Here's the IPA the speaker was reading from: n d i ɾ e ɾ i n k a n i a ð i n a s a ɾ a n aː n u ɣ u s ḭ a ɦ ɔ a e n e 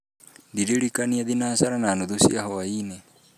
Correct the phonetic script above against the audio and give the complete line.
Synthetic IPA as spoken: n d i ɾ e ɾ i k a n i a ð i n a s a ɾ a n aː n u ð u s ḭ a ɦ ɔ a i n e